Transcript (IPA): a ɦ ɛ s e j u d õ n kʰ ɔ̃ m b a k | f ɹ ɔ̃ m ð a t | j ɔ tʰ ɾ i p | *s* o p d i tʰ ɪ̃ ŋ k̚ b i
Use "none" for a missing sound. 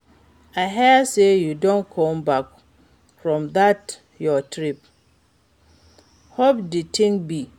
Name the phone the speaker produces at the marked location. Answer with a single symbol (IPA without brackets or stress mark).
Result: h